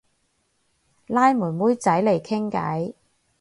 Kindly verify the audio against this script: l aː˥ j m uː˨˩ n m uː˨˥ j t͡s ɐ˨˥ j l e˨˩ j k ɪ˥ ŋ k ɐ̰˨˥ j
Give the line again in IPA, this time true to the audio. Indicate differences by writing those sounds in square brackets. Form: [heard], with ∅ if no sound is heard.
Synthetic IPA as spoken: l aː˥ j m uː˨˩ n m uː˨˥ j t͡s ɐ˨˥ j l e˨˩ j [kʰ] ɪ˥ ŋ k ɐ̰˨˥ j